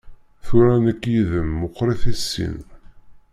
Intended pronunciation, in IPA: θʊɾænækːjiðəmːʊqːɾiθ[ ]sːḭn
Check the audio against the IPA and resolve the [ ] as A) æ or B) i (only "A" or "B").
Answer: A